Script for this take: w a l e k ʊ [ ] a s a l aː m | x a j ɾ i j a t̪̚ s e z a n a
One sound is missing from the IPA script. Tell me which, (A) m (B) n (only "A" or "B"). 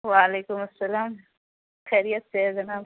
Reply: A